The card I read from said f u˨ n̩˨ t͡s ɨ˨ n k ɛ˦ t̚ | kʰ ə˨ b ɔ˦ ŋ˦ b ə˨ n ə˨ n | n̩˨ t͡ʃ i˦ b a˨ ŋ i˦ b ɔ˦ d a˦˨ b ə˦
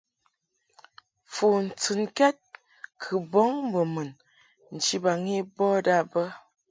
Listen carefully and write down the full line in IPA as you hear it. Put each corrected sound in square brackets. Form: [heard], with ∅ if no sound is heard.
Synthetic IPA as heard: f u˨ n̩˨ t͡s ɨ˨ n k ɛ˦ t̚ | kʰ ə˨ b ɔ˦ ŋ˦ b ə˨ [m] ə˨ n | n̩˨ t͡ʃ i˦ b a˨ ŋ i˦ b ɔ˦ d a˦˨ b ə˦